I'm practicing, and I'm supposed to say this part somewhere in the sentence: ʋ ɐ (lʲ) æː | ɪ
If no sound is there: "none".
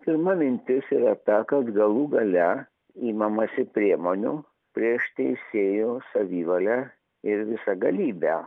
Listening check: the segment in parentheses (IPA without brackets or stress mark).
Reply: lʲ